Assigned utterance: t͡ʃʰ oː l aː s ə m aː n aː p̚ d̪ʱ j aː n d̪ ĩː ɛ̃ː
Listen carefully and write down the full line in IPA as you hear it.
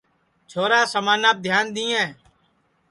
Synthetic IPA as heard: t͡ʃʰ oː ɾ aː s ə m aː n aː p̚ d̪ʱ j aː n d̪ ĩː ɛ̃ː